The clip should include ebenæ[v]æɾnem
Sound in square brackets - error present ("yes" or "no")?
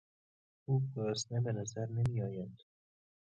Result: yes